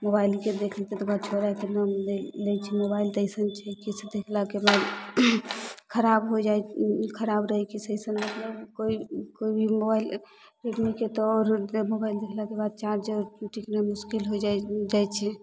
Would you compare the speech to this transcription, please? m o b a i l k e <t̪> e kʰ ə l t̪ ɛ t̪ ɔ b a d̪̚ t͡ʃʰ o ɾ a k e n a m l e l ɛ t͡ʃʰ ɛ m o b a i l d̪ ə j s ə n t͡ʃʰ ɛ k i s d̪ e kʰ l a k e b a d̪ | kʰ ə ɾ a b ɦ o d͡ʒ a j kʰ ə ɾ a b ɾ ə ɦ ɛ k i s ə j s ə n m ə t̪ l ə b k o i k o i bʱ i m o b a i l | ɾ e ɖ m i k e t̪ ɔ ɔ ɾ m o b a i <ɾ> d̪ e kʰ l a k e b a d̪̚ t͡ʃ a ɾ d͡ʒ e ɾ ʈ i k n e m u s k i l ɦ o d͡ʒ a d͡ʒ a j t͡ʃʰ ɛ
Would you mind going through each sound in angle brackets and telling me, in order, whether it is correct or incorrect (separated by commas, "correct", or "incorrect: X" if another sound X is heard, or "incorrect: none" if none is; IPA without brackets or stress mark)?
incorrect: d̪, incorrect: l